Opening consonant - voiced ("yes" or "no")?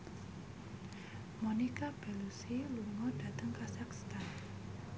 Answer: yes